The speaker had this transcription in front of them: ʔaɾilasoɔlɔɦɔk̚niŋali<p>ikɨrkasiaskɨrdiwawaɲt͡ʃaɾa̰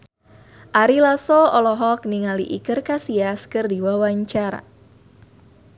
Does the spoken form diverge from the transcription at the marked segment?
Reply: yes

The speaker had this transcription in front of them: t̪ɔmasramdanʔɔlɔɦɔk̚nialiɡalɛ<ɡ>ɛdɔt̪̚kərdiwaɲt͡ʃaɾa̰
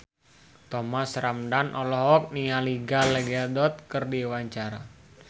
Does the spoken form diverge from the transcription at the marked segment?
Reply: no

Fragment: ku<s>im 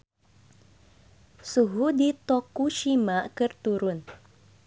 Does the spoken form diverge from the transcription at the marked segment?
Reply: yes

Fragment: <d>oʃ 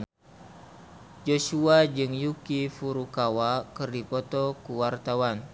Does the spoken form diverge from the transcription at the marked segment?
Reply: yes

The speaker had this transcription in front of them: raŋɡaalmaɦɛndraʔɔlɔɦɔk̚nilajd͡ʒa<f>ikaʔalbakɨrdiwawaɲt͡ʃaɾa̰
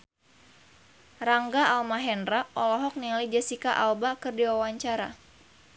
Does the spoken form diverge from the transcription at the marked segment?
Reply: yes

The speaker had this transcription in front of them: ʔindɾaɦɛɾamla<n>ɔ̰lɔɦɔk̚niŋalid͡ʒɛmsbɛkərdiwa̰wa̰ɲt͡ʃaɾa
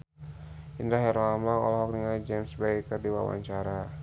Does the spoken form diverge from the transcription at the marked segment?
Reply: yes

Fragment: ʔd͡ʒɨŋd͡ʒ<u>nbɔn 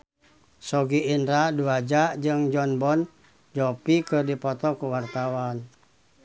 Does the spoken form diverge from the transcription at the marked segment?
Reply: yes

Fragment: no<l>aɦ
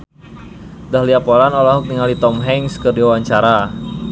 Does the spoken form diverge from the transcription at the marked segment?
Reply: no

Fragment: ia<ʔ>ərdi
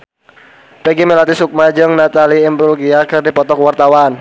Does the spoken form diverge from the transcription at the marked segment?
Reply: yes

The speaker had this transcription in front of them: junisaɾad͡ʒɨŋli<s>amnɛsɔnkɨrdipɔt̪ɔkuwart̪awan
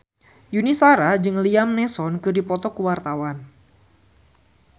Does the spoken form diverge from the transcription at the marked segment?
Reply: yes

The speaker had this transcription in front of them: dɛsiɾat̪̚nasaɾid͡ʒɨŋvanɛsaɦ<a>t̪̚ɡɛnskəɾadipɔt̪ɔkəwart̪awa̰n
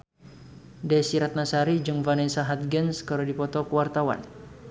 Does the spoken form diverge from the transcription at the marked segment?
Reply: no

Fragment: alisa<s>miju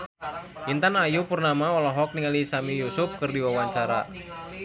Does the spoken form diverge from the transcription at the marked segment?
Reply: yes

